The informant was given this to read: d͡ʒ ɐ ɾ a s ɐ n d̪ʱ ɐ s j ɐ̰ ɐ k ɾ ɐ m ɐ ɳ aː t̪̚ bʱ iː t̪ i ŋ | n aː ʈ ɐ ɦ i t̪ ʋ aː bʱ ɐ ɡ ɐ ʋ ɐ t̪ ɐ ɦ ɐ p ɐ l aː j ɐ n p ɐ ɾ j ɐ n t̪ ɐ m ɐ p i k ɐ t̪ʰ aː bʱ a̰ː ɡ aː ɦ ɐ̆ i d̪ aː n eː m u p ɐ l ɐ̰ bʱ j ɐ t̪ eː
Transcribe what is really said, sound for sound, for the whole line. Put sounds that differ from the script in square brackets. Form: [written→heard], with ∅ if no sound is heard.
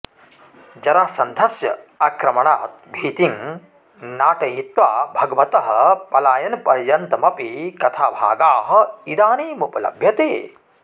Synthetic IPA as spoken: d͡ʒ ɐ ɾ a s ɐ n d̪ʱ ɐ s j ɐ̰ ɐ k ɾ ɐ m ɐ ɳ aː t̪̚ bʱ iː t̪ i ŋ | n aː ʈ ɐ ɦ i t̪ ʋ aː bʱ ɐ ɡ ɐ ʋ ɐ t̪ ɐ ɦ ɐ p ɐ l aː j ɐ n p ɐ ɾ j ɐ n t̪ ɐ m ɐ p i k ɐ t̪ʰ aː bʱ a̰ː ɡ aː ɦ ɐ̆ i d̪ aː n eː m u p ɐ l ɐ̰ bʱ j ɐ t̪ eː